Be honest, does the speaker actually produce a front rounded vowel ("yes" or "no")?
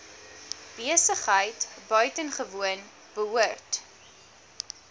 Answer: yes